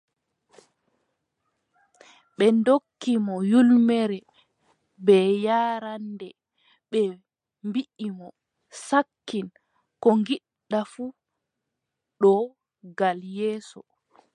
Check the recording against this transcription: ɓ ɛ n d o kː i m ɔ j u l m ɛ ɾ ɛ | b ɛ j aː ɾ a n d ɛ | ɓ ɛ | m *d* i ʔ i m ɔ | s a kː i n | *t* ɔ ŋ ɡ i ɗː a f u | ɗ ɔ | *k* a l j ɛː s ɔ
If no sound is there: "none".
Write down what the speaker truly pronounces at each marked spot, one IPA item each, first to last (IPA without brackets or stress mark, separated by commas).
b, k, ɡ